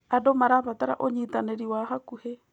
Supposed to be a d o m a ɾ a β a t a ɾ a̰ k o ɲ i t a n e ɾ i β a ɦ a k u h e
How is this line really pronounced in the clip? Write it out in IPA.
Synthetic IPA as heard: a d o m a ɾ a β a t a ɾ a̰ ʔ o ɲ i t a n e ɾ i w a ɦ a k u h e